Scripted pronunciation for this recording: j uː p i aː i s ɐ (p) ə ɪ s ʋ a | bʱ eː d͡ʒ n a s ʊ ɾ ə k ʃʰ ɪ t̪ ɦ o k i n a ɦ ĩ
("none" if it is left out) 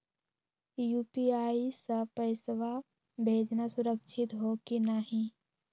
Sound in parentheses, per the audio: p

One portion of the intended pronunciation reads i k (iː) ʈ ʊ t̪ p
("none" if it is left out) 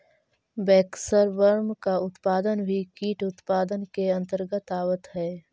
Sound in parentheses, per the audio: iː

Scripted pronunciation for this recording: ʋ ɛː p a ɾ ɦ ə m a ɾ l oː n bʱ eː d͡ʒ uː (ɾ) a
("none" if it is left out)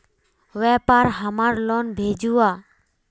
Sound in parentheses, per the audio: none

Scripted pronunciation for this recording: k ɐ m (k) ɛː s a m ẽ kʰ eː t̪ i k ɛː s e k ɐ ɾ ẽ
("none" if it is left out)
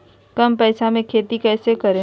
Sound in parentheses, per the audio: p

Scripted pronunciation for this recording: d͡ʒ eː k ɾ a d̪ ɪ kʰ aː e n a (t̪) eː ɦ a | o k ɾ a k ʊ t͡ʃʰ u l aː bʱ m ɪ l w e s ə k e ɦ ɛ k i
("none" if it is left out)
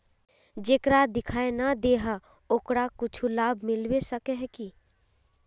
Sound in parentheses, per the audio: d̪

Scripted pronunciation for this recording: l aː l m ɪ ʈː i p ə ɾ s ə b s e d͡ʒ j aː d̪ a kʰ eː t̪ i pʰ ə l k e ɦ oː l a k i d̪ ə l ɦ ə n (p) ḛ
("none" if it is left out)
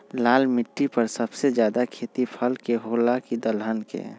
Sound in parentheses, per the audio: k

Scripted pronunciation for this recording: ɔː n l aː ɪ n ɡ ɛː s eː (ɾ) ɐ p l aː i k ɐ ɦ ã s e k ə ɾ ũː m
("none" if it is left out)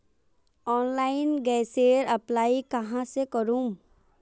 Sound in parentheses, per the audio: ɾ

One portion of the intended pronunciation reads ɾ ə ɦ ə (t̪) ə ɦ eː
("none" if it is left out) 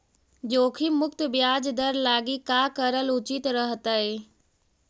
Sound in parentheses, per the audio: t̪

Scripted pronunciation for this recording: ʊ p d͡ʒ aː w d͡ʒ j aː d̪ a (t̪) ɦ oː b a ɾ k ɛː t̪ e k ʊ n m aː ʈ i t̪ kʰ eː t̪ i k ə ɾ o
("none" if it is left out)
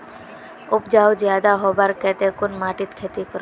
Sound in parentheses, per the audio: none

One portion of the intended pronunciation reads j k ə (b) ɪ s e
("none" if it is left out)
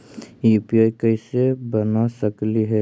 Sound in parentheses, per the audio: none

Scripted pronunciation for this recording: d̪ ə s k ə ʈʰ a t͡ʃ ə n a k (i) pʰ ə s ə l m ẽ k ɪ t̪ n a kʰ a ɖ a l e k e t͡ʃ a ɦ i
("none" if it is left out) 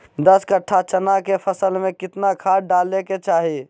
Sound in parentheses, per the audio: e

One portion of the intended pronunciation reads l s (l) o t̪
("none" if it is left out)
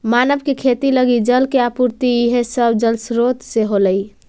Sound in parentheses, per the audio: ɾ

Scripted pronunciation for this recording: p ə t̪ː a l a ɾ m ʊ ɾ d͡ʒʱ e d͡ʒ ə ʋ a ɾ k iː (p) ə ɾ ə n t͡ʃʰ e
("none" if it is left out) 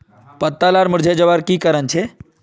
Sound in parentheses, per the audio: k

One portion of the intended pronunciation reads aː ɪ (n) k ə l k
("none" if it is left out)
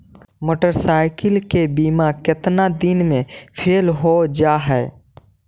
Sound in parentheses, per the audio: none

